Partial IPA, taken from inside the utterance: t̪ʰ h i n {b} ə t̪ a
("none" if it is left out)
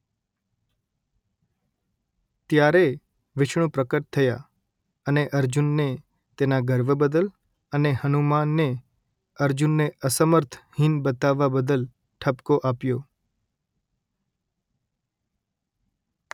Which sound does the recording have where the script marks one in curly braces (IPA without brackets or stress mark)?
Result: b